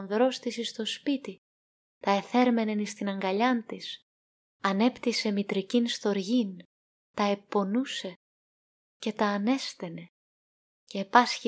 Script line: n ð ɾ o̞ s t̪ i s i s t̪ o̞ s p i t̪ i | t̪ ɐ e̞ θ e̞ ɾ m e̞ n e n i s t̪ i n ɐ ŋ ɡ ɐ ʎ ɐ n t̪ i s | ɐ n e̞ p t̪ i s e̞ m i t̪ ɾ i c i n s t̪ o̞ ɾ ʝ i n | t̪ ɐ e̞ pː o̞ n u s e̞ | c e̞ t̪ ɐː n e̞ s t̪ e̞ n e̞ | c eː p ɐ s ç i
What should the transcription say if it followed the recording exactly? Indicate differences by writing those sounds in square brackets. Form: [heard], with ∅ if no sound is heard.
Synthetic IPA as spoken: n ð ɾ o̞ s t̪ i s i s t̪ o̞ s p i t̪ i | t̪ ɐ e̞ θ e̞ ɾ m e̞ n e n i s t̪ i n ɐ ŋ ɡ ɐ ʎ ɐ n t̪ i s | ɐ n e̞ p t̪ i s e̞ m i t̪ ɾ i c i n s t̪ o̞ ɾ ʝ i n | t̪ ɐ e̞ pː o̞ n u s e̞ | c e̞ t̪ ɐː n e̞ s t̪ e̞ n e̞ | c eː p ɐ s ç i